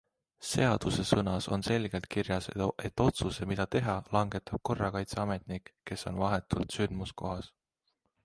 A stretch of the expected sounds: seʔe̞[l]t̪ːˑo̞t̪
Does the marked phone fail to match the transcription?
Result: yes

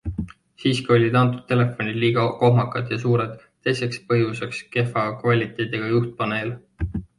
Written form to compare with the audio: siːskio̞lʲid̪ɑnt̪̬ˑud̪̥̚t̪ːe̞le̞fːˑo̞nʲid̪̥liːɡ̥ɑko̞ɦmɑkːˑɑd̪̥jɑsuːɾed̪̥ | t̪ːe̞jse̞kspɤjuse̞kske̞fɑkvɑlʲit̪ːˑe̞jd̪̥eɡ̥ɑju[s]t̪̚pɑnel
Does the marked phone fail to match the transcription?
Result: yes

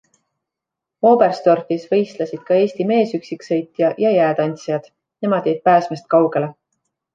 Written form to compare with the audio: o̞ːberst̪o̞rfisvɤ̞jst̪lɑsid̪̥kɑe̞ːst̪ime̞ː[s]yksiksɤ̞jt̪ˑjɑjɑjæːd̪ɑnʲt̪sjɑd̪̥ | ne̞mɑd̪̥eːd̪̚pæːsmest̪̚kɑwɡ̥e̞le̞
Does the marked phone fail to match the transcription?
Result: no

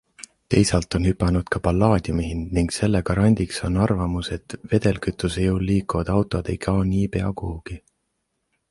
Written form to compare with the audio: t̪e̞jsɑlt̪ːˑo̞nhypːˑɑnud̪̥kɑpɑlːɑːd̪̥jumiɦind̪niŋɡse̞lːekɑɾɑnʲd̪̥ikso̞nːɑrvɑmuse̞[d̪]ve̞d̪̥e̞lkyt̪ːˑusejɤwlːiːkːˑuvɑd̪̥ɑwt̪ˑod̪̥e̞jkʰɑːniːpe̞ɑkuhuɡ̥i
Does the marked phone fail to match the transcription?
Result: yes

